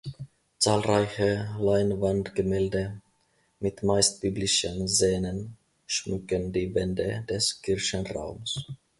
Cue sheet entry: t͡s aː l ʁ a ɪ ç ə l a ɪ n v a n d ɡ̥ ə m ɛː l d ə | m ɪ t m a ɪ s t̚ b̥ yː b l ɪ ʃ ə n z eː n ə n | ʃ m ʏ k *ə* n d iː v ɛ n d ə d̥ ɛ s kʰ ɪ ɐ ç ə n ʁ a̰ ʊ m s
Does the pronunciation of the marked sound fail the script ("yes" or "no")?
no